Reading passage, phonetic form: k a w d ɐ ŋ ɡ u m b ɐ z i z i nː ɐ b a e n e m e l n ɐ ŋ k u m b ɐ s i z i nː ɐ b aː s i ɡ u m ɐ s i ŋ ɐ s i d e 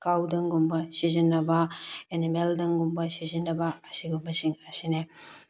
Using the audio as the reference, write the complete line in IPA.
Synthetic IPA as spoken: k a w d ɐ ŋ ɡ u m b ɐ s i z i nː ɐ b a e n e m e l d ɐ ŋ ɡ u m b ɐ s i z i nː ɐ b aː s i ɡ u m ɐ s i ŋ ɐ s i n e